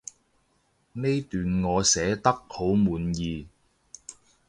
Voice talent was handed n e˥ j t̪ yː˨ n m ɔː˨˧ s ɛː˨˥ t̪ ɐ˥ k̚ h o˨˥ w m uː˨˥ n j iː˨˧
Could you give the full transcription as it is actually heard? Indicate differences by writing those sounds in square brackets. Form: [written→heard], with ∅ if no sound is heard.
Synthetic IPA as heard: n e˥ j t̪ yː˨ n [m→ŋ] ɔː˨˧ s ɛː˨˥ t̪ ɐ˥ k̚ h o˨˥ w m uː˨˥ n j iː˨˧